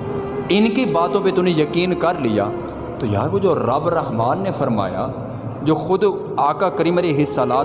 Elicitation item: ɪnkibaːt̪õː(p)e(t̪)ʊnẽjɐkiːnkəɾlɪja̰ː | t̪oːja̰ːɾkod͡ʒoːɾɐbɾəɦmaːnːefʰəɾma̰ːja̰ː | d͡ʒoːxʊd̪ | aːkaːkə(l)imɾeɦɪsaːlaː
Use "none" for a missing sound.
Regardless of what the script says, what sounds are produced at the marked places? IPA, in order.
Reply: p, t̪, ɾ

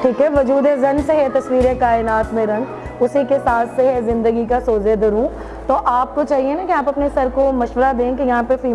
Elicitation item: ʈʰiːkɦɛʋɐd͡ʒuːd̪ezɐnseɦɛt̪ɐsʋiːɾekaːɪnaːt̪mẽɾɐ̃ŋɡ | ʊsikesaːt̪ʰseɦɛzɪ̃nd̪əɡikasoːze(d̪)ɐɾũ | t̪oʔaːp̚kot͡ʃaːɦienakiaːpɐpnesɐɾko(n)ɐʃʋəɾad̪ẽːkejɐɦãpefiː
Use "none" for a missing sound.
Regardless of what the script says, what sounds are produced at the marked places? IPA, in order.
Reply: d̪, m

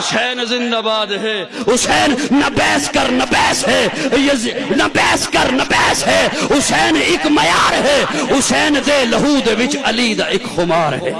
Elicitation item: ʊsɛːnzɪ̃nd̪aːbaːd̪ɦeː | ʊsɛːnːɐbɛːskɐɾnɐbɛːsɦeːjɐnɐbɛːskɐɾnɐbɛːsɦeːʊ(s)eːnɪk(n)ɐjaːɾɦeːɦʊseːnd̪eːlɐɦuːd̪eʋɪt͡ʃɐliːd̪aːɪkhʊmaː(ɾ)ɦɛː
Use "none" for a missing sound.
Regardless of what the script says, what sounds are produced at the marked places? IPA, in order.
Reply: s, m, ɾ

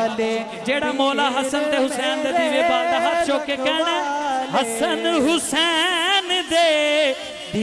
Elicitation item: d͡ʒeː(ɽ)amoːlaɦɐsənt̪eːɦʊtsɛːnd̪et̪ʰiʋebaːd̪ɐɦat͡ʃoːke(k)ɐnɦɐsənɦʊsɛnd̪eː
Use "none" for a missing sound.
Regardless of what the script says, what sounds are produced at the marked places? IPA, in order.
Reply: ɽ, k

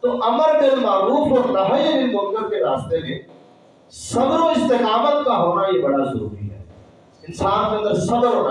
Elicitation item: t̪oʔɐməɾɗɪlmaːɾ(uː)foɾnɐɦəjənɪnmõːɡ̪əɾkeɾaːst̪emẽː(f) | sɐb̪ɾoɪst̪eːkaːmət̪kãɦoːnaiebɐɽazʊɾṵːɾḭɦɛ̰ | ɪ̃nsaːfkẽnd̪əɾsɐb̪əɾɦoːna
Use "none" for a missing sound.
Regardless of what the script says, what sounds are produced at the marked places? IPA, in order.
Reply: uː, none

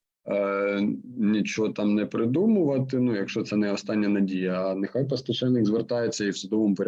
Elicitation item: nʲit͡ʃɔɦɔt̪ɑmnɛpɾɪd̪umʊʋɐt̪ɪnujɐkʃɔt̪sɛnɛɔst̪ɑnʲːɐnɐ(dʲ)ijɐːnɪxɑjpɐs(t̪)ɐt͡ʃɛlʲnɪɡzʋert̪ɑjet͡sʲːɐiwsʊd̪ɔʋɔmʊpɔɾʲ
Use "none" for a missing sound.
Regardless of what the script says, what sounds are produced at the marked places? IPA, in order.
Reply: dʲ, t̪

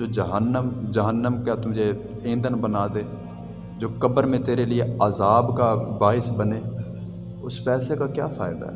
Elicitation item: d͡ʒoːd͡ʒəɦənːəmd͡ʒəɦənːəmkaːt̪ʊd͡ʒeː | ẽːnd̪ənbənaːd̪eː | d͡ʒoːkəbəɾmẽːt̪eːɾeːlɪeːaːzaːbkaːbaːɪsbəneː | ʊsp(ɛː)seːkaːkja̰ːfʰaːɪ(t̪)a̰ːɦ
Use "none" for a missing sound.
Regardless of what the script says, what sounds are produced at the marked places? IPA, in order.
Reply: ɛː, d̪

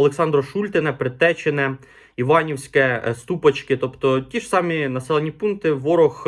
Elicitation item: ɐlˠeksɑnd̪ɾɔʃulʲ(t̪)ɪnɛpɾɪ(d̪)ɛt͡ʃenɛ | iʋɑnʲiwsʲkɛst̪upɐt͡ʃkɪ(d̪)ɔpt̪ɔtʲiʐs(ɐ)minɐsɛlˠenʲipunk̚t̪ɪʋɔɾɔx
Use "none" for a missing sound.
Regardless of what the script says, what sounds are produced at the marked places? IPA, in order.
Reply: t̪, t̪, t̪, ɑ

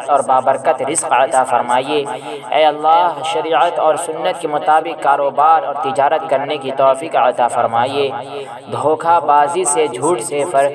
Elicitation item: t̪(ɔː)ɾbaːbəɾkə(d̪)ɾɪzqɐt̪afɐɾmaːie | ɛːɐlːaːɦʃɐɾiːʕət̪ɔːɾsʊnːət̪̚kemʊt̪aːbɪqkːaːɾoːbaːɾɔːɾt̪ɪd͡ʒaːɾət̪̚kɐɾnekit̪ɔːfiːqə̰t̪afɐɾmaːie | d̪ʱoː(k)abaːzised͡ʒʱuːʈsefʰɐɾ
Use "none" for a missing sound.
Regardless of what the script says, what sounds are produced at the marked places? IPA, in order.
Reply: ɔː, t̪, kʰ

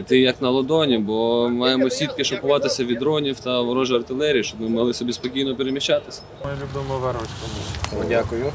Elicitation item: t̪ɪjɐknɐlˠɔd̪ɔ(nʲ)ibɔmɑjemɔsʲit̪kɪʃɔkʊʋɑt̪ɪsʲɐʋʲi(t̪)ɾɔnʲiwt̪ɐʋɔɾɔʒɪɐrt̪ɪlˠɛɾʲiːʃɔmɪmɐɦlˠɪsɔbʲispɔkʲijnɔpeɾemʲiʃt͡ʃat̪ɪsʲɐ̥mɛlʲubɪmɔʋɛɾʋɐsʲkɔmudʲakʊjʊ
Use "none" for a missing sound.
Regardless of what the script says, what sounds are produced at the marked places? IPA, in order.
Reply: nʲ, d̪

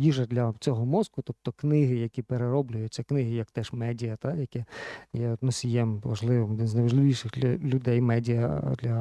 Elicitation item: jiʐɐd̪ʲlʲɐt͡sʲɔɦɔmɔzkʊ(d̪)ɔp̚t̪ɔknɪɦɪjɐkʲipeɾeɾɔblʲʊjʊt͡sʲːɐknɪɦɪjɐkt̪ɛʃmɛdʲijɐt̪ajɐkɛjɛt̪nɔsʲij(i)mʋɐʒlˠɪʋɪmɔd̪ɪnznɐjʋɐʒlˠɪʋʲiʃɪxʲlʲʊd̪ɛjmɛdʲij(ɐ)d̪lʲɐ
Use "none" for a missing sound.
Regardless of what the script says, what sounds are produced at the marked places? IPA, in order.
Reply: t̪, ɛ, ɐ

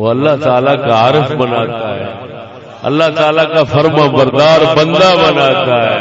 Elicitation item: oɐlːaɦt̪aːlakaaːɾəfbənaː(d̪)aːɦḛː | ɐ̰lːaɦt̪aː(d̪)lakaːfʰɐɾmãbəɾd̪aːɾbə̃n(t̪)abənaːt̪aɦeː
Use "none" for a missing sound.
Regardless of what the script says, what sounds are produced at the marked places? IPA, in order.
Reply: t̪, none, d̪

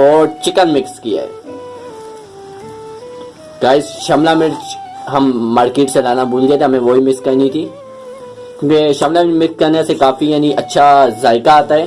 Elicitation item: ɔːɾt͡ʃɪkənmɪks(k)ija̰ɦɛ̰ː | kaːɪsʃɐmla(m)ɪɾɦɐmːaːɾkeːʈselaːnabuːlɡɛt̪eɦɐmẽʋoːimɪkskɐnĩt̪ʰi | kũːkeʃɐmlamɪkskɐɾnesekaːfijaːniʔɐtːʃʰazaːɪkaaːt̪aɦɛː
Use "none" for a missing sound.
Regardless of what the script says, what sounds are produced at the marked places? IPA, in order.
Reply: k, m

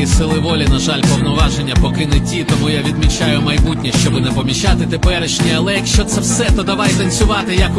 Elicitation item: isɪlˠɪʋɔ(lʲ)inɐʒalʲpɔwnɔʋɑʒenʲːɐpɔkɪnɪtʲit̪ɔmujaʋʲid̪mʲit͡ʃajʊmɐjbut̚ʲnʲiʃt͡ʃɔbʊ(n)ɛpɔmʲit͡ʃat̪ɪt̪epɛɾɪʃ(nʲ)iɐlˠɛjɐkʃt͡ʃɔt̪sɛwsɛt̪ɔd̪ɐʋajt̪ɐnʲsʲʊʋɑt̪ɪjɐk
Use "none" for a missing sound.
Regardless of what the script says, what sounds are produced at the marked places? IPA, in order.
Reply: lʲ, n, nʲ

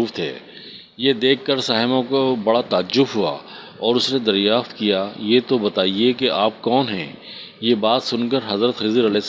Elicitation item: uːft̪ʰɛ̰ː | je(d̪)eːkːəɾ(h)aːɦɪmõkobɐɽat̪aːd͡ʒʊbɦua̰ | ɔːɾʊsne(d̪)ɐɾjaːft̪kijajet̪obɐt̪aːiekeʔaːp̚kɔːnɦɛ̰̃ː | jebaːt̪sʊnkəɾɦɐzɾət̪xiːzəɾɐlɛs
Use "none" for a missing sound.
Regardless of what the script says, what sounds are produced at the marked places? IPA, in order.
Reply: d̪, s, d̪

